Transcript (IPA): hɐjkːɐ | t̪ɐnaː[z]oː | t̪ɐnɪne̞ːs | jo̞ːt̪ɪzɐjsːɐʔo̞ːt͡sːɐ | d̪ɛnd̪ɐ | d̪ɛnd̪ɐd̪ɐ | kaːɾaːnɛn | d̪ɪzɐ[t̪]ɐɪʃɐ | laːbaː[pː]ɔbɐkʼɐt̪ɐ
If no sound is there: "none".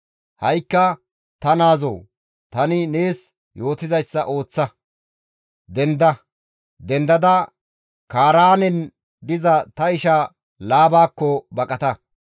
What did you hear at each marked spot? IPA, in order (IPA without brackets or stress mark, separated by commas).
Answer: z, t̪, kː